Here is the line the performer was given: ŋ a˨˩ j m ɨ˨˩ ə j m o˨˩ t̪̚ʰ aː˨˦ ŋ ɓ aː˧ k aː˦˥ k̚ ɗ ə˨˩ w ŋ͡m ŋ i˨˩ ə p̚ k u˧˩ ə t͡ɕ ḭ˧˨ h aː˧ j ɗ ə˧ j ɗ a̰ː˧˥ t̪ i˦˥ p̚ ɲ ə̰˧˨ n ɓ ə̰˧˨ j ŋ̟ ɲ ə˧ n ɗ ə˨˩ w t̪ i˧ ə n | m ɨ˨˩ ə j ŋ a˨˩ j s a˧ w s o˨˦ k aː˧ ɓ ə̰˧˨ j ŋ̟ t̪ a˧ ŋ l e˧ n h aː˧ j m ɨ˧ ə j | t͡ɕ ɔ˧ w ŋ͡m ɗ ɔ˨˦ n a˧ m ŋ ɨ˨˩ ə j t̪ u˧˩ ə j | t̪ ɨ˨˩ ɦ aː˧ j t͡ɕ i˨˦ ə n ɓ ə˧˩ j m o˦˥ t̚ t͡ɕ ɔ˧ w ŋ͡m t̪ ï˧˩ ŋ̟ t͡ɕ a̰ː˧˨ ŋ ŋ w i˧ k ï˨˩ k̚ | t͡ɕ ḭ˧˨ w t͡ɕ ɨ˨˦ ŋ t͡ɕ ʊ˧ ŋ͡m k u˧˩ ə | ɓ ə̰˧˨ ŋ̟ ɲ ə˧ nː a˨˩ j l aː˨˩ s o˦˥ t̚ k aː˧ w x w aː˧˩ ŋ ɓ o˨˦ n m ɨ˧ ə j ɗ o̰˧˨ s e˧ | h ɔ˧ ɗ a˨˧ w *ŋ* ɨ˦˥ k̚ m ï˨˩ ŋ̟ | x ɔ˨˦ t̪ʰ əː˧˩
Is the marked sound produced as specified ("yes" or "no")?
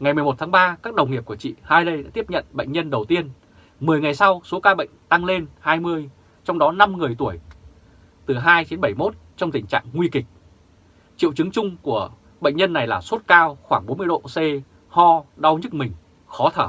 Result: no